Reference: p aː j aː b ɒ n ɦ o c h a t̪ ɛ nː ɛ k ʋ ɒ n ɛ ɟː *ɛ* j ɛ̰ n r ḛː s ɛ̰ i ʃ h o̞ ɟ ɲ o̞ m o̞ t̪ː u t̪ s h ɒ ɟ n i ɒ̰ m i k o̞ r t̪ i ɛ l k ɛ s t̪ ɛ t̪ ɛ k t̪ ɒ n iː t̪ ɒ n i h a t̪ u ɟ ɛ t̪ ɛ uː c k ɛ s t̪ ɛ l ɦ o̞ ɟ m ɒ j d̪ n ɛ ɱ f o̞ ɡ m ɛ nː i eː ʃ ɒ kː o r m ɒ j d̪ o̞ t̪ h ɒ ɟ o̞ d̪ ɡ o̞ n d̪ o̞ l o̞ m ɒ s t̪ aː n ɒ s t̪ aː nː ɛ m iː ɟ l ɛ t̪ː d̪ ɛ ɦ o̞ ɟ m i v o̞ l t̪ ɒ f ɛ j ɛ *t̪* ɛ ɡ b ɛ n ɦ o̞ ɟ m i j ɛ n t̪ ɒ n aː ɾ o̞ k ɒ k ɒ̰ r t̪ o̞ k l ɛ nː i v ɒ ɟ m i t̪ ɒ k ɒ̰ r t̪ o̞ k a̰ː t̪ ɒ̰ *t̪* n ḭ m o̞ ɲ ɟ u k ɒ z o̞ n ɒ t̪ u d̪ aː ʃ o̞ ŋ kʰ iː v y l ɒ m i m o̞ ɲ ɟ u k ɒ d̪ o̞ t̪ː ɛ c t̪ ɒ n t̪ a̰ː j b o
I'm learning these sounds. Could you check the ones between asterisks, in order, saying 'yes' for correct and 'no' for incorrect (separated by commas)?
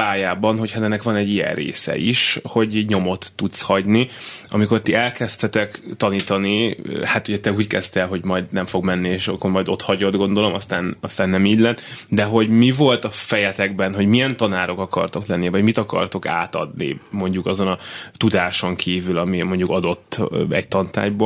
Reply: no, yes, no